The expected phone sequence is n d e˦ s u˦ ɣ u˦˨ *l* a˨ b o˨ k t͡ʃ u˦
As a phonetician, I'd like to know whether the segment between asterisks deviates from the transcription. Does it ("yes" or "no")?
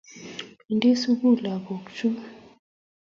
no